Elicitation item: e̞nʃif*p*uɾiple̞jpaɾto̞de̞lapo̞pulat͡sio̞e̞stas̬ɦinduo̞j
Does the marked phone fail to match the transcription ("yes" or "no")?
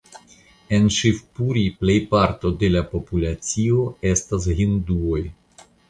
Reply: no